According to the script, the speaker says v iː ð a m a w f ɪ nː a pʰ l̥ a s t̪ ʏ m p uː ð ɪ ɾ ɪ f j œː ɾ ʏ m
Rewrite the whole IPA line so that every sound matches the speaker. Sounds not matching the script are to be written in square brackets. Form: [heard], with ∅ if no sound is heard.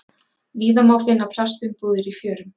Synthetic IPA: v iː ð a m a w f ɪ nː a pʰ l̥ a s t̪ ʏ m p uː ð ɪ ɾ [i] f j œː ɾ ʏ m